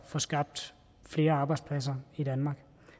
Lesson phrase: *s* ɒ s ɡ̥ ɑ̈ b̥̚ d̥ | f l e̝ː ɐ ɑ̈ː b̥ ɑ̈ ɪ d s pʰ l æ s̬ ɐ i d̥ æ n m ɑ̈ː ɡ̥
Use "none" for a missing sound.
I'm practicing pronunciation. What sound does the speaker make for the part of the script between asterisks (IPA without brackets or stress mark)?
f